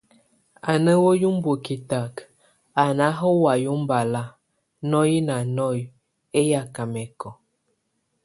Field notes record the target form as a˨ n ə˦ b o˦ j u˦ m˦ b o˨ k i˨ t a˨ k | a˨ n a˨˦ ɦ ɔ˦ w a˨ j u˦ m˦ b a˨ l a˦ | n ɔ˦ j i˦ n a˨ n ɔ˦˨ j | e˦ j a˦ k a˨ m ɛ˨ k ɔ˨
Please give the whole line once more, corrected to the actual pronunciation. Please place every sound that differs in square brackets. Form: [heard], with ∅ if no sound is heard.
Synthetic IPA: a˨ n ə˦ [w] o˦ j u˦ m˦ b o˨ k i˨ t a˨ k | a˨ n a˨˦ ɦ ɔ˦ w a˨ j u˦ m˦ b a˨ l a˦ | n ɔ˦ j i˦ n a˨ n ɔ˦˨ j | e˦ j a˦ k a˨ m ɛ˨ k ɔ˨